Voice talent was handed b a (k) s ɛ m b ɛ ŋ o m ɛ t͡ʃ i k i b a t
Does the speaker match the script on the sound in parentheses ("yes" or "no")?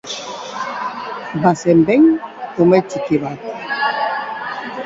no